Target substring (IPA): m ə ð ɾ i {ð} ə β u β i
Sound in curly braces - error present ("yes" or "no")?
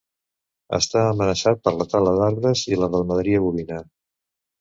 yes